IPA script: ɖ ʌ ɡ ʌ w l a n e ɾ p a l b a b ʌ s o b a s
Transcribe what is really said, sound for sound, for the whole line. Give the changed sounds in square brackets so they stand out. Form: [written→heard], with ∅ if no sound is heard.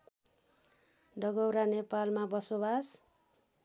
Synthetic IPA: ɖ ʌ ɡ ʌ w [l→ɾ] a n e [ɾ→∅] p a l [b→m] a b ʌ s o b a s

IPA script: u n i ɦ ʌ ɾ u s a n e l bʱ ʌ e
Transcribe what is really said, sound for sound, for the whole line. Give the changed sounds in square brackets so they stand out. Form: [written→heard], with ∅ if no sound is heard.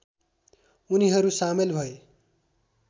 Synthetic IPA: u n i ɦ ʌ ɾ u s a [n→m] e l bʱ ʌ e

